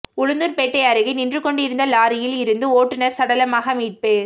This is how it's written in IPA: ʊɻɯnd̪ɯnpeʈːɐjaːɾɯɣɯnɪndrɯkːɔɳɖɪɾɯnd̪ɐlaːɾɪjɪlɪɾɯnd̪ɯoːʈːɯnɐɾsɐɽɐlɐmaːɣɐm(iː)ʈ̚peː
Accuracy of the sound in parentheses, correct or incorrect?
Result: correct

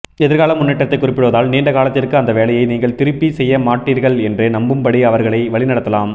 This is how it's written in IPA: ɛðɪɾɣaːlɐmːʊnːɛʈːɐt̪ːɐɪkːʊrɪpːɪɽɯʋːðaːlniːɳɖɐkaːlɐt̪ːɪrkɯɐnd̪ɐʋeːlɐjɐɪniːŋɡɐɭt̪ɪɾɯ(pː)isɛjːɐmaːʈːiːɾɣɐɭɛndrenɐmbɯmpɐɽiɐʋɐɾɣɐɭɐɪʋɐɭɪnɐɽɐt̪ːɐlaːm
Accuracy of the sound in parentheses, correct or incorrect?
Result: correct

